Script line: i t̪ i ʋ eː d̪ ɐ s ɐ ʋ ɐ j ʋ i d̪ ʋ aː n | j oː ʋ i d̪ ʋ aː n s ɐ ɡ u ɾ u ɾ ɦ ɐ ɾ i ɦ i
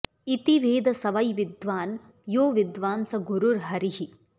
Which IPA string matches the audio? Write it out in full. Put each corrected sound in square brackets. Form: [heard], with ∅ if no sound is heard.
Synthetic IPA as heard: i t̪ i ʋ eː d̪ ɐ s ɐ ʋ ɐ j ʋ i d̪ ʋ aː n | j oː ʋ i d̪ ʋ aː n s ɐ ɡ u ɾ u ɾ ɦ ɐ ɾ i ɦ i